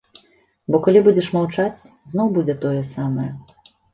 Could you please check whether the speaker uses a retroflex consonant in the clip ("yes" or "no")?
yes